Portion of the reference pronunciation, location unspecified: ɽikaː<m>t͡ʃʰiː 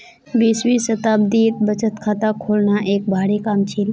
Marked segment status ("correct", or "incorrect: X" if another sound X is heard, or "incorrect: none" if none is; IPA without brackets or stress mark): correct